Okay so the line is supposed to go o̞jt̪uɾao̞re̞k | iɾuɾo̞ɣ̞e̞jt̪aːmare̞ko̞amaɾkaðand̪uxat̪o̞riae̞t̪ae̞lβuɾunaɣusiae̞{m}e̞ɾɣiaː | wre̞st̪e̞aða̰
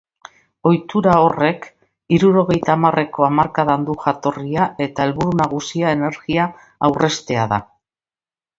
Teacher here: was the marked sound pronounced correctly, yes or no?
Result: no